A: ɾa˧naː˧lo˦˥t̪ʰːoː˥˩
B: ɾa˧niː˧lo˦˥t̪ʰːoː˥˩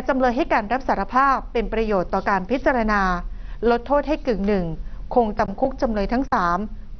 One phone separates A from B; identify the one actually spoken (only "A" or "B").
A